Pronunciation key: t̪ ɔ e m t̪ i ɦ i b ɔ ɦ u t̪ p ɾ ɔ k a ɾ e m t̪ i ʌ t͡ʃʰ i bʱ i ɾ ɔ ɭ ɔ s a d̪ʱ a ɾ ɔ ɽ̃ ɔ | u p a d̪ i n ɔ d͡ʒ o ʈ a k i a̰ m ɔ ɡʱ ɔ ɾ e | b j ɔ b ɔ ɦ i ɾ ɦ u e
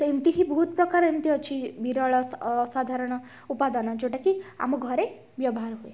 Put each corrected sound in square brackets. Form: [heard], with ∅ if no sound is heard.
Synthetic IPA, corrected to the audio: t̪ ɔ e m t̪ i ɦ i b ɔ ɦ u t̪ p ɾ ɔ k a ɾ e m t̪ i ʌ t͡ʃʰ i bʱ i ɾ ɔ ɭ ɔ s a d̪ʱ a ɾ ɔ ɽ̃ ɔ | u p a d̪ [a] n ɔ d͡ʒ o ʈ a k i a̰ m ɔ ɡʱ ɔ ɾ e | b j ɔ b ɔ ɦ [a] ɾ ɦ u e